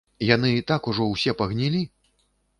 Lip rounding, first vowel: unrounded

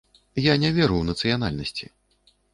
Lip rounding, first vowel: unrounded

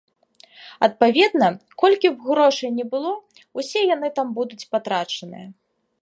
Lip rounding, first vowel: unrounded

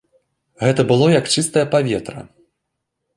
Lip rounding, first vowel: unrounded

